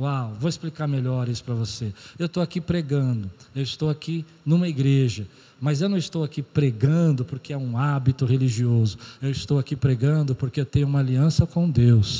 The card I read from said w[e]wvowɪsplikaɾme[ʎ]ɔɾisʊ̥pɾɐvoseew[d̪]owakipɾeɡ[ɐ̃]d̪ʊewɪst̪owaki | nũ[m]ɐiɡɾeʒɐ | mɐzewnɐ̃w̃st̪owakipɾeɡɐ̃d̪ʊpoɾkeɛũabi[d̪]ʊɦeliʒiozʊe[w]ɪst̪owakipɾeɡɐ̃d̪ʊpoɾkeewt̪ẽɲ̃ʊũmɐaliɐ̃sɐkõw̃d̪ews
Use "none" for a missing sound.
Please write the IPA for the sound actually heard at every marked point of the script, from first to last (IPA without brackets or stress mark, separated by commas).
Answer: a, ʎ, t̪, ɐ̃, m, t̪, w